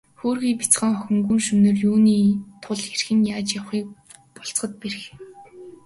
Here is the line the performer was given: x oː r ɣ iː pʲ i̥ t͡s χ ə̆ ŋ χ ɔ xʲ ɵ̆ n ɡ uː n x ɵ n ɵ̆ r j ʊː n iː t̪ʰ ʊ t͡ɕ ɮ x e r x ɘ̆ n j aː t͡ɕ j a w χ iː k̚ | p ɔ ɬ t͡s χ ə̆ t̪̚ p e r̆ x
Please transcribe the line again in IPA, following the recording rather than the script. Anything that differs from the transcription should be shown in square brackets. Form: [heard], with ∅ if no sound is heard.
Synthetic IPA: x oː r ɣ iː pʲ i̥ t͡s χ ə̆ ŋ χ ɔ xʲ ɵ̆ [ŋ] ɡ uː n [ʃ] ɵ n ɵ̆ r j [uː] n iː t̪ʰ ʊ [∅] ɮ x e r x ɘ̆ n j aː t͡ɕ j a w χ iː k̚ | p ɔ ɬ t͡s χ ə̆ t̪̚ p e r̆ x